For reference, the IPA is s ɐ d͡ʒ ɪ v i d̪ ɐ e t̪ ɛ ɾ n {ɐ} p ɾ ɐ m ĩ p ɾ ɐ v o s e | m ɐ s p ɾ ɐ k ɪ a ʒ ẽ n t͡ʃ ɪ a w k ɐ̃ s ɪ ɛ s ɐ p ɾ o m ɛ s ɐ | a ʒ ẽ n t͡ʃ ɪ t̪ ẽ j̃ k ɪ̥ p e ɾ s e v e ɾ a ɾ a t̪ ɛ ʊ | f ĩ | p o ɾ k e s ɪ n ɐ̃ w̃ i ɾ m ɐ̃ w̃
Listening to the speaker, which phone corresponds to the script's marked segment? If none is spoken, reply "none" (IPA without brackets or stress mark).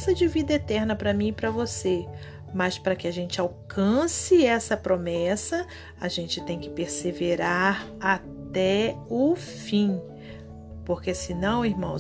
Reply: ɐ